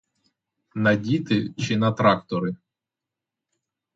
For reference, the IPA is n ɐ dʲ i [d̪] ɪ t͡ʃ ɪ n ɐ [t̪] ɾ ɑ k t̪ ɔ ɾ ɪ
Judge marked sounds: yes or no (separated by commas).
no, yes